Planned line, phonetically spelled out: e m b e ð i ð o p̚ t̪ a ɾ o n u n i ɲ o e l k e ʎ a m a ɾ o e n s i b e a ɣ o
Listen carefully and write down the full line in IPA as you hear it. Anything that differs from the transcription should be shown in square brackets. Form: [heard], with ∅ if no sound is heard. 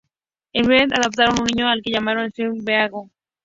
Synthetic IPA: e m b e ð [a] ð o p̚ t̪ a ɾ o n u n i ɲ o [a] l k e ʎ a m a ɾ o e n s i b e a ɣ o